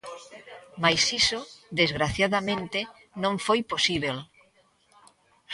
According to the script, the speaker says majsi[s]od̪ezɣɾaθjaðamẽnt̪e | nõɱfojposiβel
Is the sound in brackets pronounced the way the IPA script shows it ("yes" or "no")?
yes